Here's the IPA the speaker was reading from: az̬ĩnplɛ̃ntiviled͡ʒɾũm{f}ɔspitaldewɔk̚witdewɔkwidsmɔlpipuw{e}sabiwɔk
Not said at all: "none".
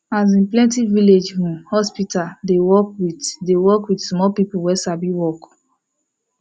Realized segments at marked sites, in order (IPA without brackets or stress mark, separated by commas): h, ɛ